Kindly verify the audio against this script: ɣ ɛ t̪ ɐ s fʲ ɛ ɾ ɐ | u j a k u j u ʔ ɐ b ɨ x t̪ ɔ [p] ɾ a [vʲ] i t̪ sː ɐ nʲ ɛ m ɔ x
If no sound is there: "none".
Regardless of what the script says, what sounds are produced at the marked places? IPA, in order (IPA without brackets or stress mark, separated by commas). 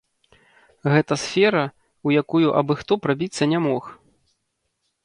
p, bʲ